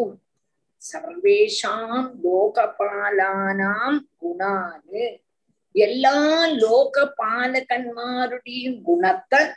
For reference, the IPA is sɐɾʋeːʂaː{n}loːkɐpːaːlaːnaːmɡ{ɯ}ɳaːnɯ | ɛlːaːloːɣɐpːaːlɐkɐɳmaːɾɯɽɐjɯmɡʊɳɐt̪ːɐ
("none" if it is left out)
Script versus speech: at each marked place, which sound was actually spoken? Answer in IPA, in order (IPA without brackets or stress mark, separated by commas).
m, ʊ